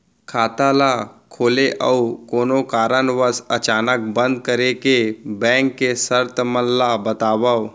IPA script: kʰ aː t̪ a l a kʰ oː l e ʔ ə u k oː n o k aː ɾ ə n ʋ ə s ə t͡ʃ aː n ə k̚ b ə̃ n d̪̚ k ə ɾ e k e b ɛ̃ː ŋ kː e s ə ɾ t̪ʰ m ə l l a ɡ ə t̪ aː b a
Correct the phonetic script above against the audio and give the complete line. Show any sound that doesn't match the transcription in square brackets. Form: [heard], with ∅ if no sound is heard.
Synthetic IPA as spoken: kʰ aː t̪ a l a kʰ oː l e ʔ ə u k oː n o k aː ɾ ə n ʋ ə s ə t͡ʃ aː n ə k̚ b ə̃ n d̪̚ k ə ɾ e k e b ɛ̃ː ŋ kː e s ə ɾ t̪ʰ m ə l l a [b] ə t̪ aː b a